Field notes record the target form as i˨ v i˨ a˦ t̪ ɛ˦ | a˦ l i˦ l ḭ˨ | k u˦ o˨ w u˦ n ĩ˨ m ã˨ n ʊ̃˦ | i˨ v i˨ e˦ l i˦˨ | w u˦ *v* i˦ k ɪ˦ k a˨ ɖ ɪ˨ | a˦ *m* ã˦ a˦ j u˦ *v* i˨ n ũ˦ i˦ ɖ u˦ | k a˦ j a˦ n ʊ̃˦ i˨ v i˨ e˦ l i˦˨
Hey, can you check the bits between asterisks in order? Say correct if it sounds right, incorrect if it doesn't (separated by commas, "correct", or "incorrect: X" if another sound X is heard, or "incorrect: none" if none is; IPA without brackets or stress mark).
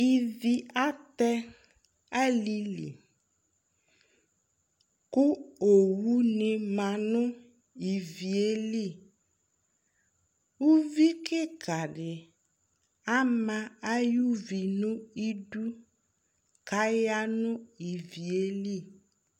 correct, correct, correct